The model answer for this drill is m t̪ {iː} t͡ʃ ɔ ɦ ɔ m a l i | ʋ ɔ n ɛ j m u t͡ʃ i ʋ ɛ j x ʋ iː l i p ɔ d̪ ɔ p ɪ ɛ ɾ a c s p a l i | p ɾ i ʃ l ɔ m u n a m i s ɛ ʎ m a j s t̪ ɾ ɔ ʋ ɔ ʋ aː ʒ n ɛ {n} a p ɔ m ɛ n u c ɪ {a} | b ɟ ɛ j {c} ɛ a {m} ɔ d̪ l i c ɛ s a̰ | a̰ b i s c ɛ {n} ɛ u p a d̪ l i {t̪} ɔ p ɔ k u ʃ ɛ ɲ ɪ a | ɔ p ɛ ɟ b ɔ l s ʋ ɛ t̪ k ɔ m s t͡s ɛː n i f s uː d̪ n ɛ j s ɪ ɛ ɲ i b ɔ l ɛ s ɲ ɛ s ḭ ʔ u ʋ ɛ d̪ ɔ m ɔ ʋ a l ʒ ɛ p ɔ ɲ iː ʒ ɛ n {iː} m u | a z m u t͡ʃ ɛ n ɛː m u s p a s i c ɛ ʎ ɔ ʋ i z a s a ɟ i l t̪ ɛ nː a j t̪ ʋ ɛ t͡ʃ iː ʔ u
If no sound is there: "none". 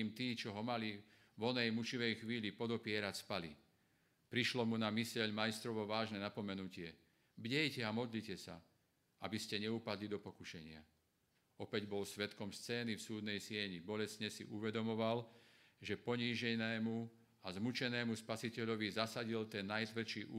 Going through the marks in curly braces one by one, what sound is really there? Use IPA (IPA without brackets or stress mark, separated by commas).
iː, n, ɛ, c, m, ɲ, d̪, ɛː